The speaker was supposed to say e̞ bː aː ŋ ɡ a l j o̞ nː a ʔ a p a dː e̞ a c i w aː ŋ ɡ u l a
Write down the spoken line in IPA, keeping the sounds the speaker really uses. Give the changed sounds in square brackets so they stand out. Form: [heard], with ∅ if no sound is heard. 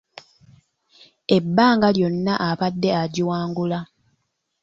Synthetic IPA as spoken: e̞ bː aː ŋ ɡ a l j o̞ nː a ʔ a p a dː e̞ a [ɟ] i w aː ŋ ɡ u l a